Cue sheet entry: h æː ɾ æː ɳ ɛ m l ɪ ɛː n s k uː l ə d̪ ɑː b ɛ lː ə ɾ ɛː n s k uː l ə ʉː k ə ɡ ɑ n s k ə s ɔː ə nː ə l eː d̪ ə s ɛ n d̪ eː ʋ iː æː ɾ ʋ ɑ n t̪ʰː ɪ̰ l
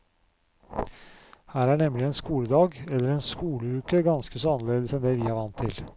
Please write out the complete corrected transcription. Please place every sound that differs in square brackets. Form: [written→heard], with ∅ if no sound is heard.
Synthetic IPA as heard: h æː ɾ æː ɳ ɛ m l ɪ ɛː n s k uː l ə d̪ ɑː [b→ɡ] ɛ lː ə ɾ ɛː n s k uː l ə ʉː k ə ɡ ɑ n s k ə s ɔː [ə→ɑ] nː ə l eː d̪ ə s ɛ n d̪ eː ʋ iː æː ɾ ʋ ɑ n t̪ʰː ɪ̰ l